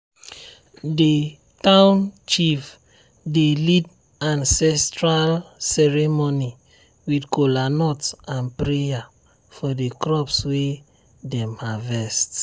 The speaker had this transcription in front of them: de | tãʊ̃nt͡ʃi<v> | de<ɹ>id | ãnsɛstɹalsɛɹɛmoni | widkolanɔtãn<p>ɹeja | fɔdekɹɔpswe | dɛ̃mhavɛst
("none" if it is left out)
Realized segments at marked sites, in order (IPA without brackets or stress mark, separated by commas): f, l, p